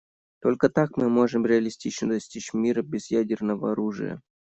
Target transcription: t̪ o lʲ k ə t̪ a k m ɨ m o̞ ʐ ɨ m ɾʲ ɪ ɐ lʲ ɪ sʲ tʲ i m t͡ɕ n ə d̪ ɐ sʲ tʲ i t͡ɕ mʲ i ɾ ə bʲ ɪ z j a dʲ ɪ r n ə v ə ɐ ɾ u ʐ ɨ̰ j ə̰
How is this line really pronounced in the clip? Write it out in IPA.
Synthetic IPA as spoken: t̪ o lʲ k ə t̪ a k m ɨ m o̞ ʐ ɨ m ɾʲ ɪ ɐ lʲ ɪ sʲ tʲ i t͡ɕ n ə d̪ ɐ sʲ tʲ i t͡ɕ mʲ i ɾ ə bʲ ɪ z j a dʲ ɪ r n ə v ə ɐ ɾ u ʐ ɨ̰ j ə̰